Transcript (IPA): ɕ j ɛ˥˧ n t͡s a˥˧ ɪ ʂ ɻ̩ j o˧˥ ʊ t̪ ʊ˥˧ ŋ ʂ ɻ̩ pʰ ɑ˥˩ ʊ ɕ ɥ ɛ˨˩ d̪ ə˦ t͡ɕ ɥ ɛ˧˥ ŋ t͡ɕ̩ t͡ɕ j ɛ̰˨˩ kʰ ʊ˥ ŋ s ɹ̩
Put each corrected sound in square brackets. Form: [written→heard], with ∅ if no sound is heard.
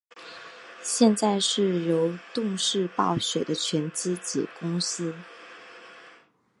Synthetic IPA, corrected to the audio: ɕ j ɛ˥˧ n t͡s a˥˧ ɪ ʂ ɻ̩ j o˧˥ ʊ t̪ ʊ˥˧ ŋ ʂ ɻ̩ [pʰ→p] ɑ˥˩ ʊ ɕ ɥ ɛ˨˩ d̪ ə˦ [t͡ɕ→t͡ɕʰ] ɥ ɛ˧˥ [ŋ→n] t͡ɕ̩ t͡ɕ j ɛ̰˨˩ [kʰ→k] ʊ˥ ŋ s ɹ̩